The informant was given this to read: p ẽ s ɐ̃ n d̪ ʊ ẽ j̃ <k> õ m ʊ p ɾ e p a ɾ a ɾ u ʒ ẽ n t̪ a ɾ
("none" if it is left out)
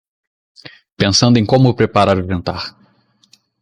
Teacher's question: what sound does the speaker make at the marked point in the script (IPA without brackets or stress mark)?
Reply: k